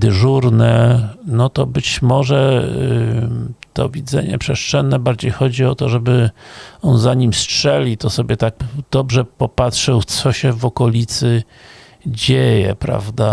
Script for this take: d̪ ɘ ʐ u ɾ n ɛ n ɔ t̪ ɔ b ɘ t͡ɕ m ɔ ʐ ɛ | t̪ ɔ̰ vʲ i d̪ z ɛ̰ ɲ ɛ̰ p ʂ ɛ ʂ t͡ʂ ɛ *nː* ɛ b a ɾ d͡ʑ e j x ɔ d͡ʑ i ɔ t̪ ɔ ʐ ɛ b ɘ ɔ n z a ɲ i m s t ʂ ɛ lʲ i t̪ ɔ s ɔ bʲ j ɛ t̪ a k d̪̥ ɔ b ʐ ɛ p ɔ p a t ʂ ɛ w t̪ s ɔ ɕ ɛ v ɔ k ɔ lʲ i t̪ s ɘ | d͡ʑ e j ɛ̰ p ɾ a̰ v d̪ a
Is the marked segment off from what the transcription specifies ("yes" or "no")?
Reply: no